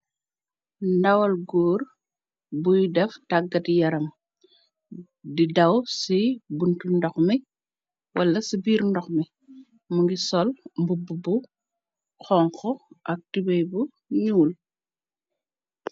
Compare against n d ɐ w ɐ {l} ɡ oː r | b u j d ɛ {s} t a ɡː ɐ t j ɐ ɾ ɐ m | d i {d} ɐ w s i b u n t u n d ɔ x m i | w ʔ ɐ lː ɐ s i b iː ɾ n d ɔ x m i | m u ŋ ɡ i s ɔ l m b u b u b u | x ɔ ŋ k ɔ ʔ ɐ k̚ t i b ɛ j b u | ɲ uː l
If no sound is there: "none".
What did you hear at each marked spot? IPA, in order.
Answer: l, f, d

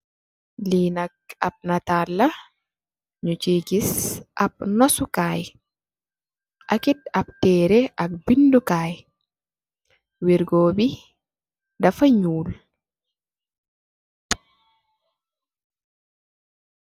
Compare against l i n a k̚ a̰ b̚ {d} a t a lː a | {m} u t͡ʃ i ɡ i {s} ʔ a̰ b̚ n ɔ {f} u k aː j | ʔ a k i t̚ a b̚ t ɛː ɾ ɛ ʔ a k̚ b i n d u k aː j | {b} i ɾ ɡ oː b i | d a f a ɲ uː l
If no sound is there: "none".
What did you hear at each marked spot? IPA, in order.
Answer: n, ɲ, s, s, w

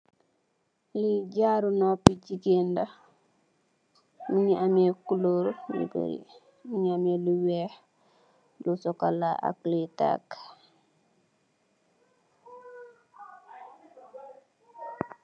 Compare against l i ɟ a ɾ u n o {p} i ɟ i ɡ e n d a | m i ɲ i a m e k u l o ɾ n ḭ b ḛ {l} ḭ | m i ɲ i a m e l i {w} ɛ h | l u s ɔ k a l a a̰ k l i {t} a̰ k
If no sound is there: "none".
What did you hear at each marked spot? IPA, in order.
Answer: p, ɾ, w, t

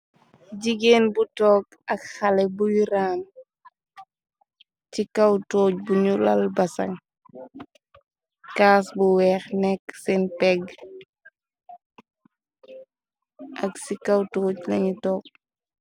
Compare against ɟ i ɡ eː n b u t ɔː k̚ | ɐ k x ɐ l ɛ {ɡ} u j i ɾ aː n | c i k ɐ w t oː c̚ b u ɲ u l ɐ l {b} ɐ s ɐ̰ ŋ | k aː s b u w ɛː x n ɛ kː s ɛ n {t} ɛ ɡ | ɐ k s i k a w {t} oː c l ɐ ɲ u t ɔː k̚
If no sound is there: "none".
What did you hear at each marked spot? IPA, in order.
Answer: b, b, p, t

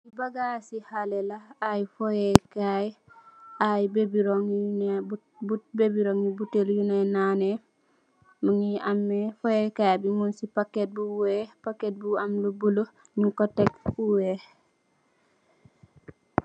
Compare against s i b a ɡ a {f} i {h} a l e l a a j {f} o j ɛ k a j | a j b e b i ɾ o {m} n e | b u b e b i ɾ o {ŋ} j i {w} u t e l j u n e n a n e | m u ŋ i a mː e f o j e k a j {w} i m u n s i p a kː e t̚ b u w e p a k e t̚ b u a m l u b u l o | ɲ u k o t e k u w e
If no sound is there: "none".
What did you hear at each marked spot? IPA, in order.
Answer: s, h, f, ŋ, ŋ, b, b

